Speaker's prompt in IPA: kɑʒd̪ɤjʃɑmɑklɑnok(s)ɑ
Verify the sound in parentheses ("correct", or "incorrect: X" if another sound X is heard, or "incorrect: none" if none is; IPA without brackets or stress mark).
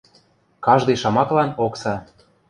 correct